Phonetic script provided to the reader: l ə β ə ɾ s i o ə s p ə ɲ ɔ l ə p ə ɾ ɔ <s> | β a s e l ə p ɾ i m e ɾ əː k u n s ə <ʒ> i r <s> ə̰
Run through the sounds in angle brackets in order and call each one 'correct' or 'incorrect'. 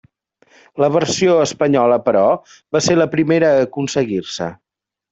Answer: incorrect: none, incorrect: ɣ, correct

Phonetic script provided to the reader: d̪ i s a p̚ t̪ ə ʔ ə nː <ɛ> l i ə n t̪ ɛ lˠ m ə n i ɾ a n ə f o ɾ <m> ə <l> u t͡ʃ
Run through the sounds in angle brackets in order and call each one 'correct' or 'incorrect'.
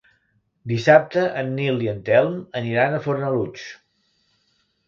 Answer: incorrect: i, incorrect: n, correct

